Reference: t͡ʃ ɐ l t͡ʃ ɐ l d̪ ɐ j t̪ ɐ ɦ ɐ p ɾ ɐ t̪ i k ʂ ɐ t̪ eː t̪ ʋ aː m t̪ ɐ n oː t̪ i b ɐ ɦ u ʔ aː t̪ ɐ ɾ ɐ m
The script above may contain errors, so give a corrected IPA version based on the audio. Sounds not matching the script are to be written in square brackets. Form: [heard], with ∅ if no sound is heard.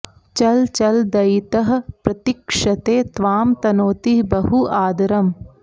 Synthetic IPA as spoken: t͡ʃ ɐ l t͡ʃ ɐ l d̪ ɐ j t̪ ɐ ɦ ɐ p ɾ ɐ t̪ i k ʂ ɐ t̪ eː t̪ ʋ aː m t̪ ɐ n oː t̪ i b ɐ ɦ u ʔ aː [d̪] ɐ ɾ ɐ m